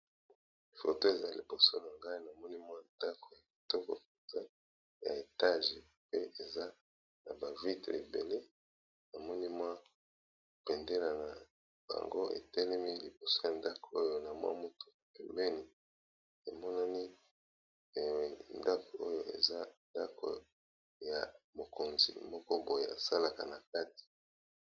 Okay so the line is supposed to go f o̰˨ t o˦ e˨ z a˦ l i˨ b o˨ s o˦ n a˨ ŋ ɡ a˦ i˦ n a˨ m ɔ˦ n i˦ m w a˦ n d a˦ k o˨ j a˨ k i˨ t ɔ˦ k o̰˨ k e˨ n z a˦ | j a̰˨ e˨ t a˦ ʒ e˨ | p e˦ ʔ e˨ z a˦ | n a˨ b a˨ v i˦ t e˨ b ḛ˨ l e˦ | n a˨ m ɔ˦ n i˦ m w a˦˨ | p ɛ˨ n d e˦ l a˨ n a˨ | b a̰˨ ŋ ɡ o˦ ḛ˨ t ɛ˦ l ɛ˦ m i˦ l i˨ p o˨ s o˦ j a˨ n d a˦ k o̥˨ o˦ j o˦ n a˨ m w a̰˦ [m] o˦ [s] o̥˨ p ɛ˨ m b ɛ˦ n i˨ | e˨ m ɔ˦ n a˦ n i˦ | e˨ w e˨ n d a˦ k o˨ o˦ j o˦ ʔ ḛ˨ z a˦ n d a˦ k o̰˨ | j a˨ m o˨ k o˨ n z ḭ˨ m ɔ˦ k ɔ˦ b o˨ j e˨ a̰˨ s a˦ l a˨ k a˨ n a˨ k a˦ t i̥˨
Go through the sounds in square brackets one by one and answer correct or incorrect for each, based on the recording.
correct, incorrect

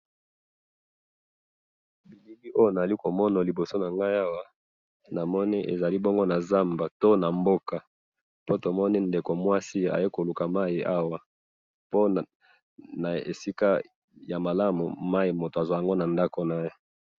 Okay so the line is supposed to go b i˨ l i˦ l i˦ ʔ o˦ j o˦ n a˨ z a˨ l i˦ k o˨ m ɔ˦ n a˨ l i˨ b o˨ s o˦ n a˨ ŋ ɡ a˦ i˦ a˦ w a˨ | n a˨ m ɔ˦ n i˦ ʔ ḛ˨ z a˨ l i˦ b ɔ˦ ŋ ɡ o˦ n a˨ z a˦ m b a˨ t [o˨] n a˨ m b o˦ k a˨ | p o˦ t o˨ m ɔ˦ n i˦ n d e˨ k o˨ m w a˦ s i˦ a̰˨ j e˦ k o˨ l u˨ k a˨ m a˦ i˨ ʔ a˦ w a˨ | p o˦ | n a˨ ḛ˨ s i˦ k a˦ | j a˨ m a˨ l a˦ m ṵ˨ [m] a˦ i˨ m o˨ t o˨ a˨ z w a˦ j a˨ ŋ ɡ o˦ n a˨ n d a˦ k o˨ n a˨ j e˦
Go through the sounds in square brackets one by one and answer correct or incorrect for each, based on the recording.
incorrect, correct

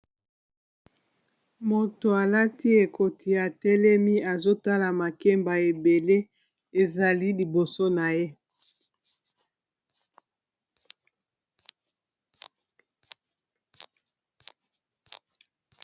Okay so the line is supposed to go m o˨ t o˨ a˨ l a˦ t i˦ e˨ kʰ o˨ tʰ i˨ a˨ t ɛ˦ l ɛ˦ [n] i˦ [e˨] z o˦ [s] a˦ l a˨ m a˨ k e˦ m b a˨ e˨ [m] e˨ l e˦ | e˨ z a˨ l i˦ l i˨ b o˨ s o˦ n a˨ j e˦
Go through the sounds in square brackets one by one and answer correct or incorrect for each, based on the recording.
incorrect, incorrect, incorrect, incorrect

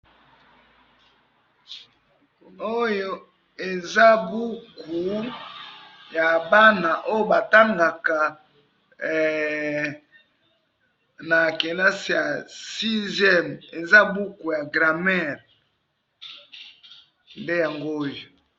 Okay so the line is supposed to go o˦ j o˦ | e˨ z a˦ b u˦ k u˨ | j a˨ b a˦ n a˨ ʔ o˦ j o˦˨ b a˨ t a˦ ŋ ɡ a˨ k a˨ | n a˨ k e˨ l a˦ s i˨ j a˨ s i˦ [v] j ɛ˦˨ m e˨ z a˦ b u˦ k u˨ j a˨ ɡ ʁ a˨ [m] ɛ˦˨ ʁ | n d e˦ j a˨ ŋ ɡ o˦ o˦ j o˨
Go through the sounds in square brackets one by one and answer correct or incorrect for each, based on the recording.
incorrect, correct

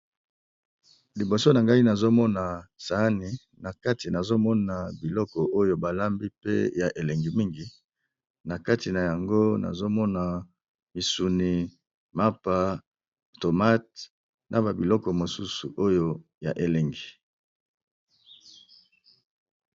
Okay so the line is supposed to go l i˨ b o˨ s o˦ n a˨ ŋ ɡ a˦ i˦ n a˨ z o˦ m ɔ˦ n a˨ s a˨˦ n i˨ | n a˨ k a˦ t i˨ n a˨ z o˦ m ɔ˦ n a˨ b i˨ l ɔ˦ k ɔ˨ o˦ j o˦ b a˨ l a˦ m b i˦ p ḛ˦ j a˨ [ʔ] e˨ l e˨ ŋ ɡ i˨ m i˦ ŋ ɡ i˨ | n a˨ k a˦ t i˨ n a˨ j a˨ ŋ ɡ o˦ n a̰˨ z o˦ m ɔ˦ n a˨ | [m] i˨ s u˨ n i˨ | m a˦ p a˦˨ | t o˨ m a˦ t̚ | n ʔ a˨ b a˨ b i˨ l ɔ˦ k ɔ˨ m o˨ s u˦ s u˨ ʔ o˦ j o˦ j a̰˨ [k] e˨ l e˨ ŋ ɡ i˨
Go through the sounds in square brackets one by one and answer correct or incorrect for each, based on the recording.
correct, correct, incorrect

